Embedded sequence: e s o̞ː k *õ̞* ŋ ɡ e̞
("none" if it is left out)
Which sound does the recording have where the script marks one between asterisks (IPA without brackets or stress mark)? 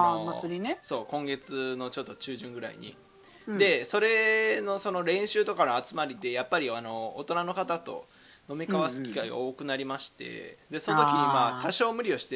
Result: õ̞